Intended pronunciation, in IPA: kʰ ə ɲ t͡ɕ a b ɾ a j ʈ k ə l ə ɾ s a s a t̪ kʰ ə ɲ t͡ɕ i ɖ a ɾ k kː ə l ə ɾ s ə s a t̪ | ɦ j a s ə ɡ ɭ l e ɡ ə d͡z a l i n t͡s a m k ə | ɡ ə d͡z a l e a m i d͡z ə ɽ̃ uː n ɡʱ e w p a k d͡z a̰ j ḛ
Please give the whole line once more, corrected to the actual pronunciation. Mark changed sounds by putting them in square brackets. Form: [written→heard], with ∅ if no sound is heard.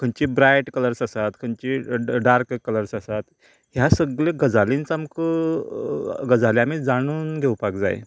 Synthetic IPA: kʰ ə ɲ t͡ɕ [a→i] b ɾ a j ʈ k ə l ə ɾ s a s a t̪ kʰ ə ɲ t͡ɕ i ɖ a ɾ k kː ə l ə ɾ s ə s a t̪ | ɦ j a s ə ɡ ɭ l e ɡ ə d͡z a l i n t͡s a m k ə | ɡ ə d͡z a l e a m i d͡z [ə→a] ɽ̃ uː n ɡʱ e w p a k d͡z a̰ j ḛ